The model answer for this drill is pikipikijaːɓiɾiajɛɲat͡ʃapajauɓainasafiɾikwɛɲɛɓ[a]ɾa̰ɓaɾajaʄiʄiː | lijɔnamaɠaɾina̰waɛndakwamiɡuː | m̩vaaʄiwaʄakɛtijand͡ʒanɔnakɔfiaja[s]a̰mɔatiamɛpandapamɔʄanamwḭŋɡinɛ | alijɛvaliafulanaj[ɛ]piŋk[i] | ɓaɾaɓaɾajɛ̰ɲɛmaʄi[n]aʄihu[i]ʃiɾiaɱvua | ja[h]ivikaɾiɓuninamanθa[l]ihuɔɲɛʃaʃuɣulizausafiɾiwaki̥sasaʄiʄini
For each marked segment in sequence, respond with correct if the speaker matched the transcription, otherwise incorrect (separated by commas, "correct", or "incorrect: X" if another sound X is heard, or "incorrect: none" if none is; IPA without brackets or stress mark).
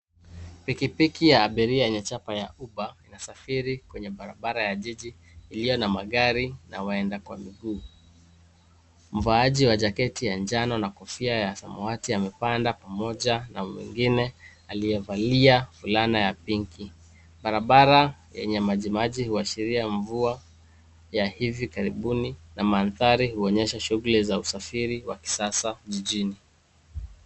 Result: correct, correct, incorrect: a, correct, incorrect: m, incorrect: a, correct, incorrect: ɾ